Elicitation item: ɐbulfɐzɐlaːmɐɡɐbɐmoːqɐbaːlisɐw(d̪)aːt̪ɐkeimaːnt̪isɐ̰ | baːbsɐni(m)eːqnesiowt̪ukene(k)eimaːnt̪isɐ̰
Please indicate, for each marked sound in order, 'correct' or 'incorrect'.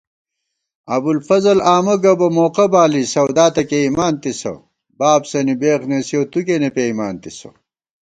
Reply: correct, incorrect, incorrect

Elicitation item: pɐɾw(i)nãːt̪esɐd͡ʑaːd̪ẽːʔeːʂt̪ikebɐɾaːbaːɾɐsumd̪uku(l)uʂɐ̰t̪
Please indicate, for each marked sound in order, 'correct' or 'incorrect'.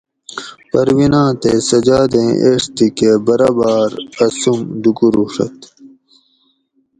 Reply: correct, incorrect

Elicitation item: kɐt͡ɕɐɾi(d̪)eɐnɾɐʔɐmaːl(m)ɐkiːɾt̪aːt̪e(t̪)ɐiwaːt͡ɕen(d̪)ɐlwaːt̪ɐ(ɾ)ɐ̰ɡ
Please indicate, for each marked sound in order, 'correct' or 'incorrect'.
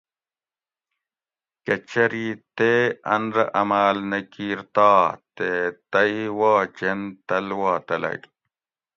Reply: incorrect, incorrect, correct, incorrect, incorrect

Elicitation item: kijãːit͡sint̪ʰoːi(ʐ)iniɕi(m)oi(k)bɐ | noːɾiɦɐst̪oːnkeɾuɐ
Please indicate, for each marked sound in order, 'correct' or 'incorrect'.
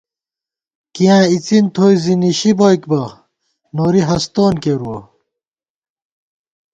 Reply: incorrect, incorrect, correct

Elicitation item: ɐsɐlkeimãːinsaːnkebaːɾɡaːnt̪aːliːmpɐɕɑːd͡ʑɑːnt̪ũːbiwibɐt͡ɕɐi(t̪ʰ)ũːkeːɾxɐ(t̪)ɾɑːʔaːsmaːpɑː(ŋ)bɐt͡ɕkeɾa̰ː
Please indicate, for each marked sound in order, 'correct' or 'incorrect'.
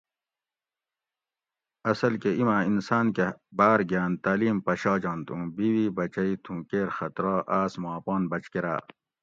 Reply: correct, correct, incorrect

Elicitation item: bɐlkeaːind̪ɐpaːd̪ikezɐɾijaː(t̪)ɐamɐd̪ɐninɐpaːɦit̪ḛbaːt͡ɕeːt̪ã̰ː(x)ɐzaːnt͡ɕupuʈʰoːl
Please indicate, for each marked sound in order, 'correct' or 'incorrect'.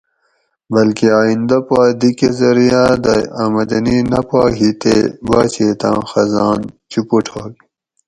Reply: incorrect, correct

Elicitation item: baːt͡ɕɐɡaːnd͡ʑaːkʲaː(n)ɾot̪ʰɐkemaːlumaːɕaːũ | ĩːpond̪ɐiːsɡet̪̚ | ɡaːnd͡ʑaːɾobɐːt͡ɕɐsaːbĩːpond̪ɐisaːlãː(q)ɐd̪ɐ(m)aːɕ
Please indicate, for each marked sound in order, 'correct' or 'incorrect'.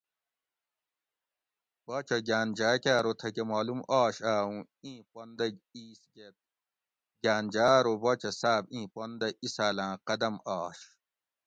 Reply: incorrect, correct, correct

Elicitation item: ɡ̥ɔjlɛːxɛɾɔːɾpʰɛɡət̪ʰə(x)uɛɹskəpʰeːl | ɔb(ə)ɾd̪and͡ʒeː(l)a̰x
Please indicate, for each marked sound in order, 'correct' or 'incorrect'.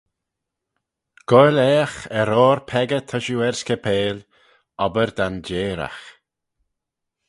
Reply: incorrect, correct, incorrect

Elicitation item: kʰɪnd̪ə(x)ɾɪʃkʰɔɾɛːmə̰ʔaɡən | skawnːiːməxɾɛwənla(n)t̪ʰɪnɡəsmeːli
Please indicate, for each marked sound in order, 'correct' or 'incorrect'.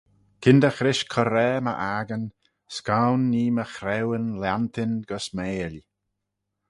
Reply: correct, correct

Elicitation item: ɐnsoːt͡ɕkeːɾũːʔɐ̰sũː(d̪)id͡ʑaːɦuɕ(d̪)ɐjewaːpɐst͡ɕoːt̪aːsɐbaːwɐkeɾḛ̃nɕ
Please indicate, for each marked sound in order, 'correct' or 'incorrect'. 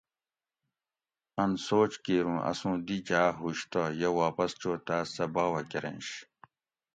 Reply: correct, incorrect

